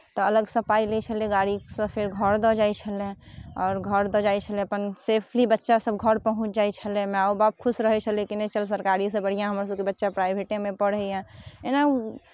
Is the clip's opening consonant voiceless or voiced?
voiceless